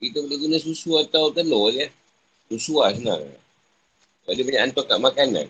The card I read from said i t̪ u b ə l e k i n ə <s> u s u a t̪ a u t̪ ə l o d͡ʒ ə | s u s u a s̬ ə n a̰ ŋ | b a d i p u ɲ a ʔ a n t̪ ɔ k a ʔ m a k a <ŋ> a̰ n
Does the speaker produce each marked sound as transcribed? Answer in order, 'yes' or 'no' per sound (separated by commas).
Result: yes, no